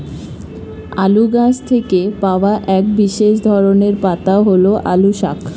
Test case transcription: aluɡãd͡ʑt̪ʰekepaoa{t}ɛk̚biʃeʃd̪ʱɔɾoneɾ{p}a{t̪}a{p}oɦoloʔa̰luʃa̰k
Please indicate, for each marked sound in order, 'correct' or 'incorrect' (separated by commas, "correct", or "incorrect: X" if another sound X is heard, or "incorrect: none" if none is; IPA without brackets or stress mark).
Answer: incorrect: ʔ, correct, correct, incorrect: none